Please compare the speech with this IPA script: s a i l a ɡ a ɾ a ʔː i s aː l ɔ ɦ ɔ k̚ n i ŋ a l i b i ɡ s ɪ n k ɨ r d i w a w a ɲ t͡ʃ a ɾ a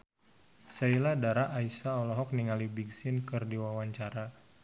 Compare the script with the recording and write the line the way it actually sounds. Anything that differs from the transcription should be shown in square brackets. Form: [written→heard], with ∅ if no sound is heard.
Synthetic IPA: s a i l a [ɡ→d] a ɾ a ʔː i s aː l ɔ ɦ ɔ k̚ n i ŋ a l i b i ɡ s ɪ n k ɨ r d i w a w a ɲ t͡ʃ a ɾ a